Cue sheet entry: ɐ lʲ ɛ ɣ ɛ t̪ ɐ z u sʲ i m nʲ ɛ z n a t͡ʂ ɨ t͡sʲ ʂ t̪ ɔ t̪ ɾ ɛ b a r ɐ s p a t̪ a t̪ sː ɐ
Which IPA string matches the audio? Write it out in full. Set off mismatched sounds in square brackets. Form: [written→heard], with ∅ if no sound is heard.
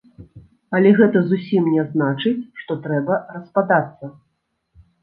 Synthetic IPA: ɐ lʲ ɛ ɣ ɛ t̪ ɐ z u sʲ i m nʲ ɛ z n a t͡ʂ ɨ t͡sʲ ʂ t̪ ɔ t̪ ɾ ɛ b [a→ɐ] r ɐ s p a [t̪→d̪] a t̪ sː ɐ